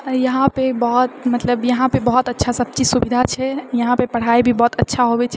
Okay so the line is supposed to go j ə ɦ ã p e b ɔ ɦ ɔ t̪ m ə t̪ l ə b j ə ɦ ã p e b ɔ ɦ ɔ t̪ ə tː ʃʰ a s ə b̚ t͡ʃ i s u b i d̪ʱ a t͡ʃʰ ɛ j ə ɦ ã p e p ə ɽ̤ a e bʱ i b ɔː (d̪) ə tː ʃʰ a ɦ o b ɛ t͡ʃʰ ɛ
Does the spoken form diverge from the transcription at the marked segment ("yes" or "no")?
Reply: yes